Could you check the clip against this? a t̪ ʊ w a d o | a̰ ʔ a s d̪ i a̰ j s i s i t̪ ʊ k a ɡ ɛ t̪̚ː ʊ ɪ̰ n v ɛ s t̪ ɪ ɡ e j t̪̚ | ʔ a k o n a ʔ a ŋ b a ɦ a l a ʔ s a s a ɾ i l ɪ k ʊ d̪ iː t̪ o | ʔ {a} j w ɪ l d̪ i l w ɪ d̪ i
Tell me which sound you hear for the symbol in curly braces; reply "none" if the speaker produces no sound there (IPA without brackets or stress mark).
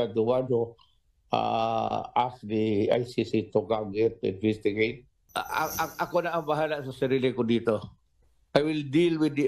a